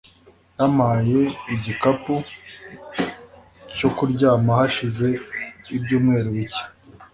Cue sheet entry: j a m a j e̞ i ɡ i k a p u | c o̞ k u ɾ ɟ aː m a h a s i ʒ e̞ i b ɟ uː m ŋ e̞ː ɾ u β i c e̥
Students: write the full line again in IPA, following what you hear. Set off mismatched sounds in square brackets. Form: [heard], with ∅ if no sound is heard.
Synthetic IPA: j a m a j e̞ i [ɟ] i k a p u | c o̞ k u ɾ ɟ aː m a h a [ʃ] i [z] e̞ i b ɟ uː m ŋ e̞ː ɾ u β i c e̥